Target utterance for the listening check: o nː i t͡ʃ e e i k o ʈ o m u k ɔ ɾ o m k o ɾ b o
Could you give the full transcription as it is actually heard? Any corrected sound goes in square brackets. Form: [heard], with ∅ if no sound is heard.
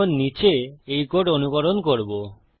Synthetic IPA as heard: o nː i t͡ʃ e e [j] k o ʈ o [n] u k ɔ ɾ o [n] k o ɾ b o